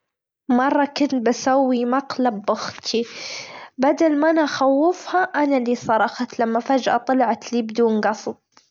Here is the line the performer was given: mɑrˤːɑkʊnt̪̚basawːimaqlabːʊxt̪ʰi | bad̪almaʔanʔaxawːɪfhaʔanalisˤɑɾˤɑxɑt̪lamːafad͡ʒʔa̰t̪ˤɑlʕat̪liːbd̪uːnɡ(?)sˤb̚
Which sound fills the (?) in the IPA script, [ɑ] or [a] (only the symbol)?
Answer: ɑ